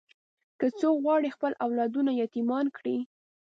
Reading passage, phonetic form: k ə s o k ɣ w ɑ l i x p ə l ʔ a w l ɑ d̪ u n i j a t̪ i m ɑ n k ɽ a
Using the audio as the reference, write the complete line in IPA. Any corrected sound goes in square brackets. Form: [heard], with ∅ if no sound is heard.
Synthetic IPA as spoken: k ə [t͡s] o k ɣ w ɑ [ɽ] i x p ə l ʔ a w l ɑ d̪ u n [a] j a t̪ i m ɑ n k ɽ [i]